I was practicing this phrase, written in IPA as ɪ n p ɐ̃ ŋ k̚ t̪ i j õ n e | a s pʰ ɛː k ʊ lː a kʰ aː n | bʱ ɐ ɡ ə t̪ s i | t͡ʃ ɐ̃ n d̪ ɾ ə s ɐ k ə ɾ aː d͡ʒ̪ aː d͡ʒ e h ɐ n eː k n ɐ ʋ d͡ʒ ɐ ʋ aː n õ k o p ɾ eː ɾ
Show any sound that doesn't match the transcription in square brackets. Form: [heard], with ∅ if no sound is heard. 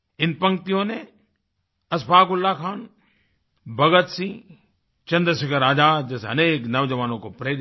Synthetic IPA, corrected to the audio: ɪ n p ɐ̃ ŋ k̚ t̪ i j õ n e | [ɐ] s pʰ [aː] k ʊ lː a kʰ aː n | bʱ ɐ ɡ ə t̪ s i | t͡ʃ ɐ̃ n d̪ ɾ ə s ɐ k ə ɾ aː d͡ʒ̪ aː d͡ʒ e [s] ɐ n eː k n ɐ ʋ d͡ʒ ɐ ʋ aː n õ k o p ɾ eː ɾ